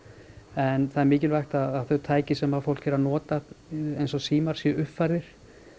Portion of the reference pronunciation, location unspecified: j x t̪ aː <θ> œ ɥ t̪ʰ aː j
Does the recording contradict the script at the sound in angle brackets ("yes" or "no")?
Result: no